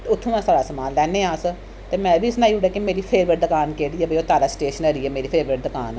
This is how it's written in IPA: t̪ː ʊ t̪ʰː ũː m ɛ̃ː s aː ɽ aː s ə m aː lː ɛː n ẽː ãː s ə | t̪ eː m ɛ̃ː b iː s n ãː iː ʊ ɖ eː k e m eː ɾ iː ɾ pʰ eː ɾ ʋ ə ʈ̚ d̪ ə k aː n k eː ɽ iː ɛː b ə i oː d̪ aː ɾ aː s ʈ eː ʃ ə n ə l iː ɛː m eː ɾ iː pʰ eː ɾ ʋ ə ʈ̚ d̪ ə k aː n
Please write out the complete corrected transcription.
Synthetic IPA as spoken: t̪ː ʊ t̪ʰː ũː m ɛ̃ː s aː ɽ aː s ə m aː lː ɛː n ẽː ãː s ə | t̪ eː m ɛ̃ː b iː s n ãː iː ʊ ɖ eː k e m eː ɾ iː pʰ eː ɾ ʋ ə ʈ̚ d̪ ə k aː n k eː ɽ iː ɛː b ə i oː t̪ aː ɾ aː s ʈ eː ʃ ə n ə ɾ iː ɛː m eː ɾ iː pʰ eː ɾ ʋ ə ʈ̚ d̪ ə k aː n